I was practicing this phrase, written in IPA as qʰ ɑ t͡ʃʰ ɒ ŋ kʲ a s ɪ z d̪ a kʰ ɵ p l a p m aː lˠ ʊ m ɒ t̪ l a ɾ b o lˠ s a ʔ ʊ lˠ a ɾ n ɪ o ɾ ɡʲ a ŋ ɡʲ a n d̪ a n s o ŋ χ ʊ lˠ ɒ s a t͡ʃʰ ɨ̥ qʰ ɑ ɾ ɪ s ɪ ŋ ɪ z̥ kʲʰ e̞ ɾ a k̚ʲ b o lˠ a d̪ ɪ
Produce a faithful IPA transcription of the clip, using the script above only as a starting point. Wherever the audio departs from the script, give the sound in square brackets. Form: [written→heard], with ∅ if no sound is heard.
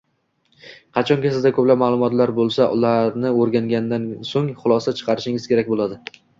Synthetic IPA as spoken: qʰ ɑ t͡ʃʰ ɒ ŋ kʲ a s ɪ z d̪ a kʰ ɵ p l a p m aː lˠ ʊ m ɒ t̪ l a ɾ b o lˠ s a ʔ ʊ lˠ a ɾ n ɪ o ɾ ɡʲ a ŋ ɡʲ a n d̪ a n s o ŋ χ ʊ lˠ ɒ s a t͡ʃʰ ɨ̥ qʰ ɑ ɾ ɪ [s→ʃ] ɪ ŋ ɪ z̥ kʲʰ e̞ ɾ a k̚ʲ b o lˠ a d̪ ɪ